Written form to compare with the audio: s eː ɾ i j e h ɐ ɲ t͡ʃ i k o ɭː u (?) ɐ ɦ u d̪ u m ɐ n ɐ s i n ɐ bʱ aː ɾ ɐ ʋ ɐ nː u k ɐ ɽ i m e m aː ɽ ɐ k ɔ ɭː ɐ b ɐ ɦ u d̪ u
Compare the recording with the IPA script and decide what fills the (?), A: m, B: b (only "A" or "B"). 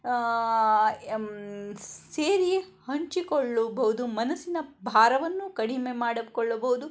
B